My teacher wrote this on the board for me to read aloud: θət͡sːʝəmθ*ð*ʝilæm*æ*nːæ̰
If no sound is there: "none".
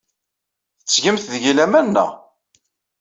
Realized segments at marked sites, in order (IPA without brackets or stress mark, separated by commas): ð, æ